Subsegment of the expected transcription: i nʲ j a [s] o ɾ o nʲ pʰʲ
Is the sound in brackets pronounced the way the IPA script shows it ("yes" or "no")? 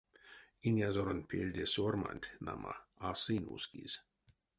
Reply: no